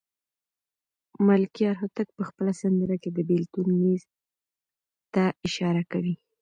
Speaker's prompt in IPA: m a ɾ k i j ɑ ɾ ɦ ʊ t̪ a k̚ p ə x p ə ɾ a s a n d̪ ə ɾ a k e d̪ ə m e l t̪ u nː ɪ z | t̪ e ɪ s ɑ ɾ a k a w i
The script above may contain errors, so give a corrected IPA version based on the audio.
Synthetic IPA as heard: m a l k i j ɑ ɾ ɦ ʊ t̪ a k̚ p ə x p ə l a s a n d̪ ə ɾ a k e d̪ ə b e l t̪ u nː i z | t̪ a ɪ ʃ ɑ ɾ a k a w i